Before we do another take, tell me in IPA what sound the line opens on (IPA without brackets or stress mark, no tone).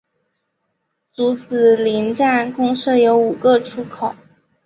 t͡s